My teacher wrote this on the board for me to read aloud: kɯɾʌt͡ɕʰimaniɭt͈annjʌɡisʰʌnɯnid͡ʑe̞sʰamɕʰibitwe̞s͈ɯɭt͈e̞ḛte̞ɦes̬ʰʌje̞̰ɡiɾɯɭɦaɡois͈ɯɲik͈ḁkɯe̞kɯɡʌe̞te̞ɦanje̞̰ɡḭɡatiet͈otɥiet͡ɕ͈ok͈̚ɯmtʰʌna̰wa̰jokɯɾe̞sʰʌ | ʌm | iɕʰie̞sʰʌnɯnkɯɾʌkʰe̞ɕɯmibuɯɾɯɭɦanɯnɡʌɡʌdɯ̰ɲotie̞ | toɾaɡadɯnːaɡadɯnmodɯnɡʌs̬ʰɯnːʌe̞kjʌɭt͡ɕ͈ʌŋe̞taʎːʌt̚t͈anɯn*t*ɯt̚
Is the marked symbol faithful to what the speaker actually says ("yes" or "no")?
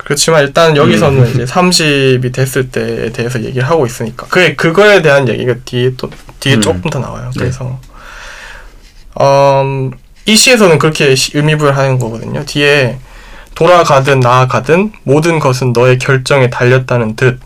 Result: yes